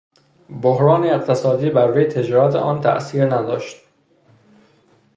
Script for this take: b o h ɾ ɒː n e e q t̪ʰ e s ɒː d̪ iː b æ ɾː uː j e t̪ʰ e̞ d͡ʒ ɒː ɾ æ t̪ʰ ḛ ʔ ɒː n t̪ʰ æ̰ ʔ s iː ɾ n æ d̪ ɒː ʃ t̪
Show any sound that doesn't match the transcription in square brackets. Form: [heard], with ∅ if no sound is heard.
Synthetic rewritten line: b o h ɾ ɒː n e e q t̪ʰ e s ɒː d̪ iː b æ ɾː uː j e t̪ʰ e̞ d͡ʒ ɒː ɾ æ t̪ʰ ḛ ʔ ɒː n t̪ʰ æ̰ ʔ s iː ɾ n æ d̪ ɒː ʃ t̪